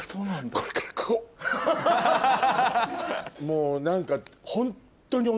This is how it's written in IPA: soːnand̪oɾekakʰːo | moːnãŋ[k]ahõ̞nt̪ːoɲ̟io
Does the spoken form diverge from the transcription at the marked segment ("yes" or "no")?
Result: no